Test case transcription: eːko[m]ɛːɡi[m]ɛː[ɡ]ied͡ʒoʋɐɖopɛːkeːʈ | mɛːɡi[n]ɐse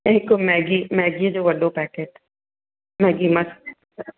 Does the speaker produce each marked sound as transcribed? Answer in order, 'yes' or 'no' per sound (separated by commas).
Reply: yes, yes, yes, no